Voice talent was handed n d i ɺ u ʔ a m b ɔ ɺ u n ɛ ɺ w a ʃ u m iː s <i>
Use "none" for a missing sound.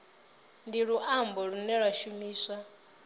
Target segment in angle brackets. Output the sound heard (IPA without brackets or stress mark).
a